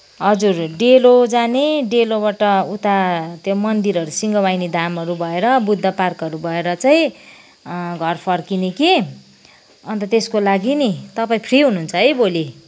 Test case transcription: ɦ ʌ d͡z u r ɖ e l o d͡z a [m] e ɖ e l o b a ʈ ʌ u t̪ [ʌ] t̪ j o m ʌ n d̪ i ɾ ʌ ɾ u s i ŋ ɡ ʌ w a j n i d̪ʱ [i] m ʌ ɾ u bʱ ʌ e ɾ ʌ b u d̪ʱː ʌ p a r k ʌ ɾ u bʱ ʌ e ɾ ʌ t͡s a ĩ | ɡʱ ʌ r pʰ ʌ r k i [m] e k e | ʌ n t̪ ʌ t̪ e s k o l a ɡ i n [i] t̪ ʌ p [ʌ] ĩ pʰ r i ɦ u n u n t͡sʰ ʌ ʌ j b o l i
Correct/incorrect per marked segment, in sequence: incorrect: n, incorrect: a, incorrect: a, incorrect: n, correct, incorrect: a

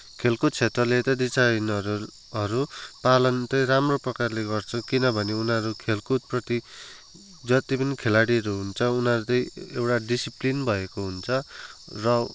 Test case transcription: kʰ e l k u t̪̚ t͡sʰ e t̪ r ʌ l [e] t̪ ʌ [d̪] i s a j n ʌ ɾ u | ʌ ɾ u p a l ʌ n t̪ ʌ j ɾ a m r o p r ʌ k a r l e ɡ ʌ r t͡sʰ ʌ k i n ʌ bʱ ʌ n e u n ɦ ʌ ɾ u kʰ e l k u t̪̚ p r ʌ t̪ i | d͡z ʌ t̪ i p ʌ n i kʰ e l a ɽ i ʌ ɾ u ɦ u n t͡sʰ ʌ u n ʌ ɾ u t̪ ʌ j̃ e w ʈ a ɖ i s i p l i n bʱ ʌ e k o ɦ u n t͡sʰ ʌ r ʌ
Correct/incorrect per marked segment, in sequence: correct, correct

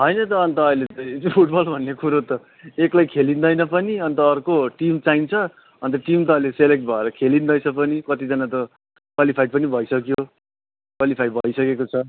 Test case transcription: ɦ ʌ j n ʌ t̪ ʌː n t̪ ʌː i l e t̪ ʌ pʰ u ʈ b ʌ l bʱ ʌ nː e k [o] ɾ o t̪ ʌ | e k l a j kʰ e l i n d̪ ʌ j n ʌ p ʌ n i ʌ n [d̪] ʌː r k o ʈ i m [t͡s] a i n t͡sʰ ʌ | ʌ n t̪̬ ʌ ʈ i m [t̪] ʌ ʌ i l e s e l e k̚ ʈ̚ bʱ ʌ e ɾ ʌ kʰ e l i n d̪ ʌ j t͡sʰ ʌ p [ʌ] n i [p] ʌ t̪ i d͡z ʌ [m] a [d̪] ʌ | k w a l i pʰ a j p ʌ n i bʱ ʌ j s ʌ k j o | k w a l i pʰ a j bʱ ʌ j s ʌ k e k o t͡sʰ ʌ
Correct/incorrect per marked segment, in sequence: incorrect: u, incorrect: t̪, correct, correct, correct, incorrect: k, incorrect: n, incorrect: t̪

